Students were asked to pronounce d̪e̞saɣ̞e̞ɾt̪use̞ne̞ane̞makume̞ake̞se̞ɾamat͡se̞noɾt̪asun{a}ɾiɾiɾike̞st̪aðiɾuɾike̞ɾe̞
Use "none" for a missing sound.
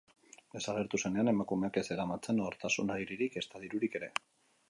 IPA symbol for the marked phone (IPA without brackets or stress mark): a